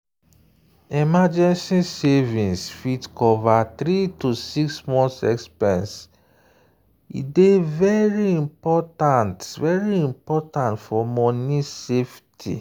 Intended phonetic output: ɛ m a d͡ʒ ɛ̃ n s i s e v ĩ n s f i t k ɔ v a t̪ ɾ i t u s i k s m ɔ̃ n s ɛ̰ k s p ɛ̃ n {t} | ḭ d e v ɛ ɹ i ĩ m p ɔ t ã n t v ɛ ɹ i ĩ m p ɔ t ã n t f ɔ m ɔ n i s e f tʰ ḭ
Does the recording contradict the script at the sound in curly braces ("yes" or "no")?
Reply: yes